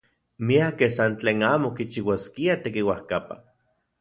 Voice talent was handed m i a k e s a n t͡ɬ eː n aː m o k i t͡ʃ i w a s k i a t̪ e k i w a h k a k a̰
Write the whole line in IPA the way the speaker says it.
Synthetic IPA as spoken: m i a k e s a n t͡ɬ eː n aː m o k i t͡ʃ i w a s k i a t̪ e k i w a h k a p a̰